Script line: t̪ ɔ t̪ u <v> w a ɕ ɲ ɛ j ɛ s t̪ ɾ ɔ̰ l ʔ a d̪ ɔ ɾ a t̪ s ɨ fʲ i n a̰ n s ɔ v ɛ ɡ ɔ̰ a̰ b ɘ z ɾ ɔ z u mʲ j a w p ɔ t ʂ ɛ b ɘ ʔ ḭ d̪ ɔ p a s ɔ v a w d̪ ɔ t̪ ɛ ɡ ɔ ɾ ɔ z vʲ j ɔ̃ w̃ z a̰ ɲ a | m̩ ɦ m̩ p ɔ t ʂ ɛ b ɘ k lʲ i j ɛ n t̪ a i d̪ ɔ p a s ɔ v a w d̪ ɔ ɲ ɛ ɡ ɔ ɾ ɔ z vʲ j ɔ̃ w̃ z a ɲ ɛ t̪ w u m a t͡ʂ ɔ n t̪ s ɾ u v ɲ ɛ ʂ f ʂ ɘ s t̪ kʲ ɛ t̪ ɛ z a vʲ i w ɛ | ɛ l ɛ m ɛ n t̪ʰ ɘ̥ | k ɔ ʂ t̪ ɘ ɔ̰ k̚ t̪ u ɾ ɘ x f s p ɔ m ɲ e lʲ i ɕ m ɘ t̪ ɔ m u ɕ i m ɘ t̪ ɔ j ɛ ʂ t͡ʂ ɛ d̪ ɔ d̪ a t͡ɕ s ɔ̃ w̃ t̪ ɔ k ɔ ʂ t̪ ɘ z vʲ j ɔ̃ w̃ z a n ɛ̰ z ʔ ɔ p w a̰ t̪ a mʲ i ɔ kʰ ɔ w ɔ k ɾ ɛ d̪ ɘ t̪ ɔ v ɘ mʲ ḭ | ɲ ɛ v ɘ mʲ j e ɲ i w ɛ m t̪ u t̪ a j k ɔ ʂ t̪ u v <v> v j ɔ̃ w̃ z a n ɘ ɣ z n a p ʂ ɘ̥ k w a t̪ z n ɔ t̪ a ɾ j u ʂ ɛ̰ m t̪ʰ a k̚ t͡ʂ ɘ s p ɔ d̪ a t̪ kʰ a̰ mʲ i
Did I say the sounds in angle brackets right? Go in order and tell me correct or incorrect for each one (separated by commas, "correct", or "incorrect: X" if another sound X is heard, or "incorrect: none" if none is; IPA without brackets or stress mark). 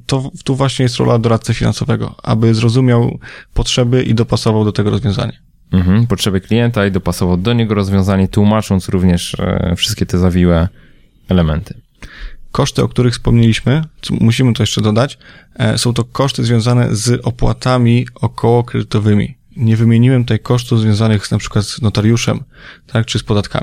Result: correct, incorrect: z